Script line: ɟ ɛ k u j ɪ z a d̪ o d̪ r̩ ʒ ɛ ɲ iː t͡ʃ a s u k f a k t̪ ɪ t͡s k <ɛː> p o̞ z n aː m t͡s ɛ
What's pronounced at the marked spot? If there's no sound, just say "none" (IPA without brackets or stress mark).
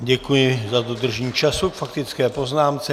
ɛː